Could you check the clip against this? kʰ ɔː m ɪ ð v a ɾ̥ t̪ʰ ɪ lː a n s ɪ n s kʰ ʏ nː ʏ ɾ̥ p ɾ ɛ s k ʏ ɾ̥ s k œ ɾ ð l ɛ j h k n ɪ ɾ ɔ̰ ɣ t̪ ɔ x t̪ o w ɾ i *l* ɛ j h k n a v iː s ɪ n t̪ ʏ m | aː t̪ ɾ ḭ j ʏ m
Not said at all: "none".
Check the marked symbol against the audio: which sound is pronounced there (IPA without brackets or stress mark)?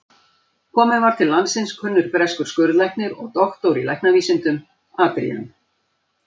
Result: l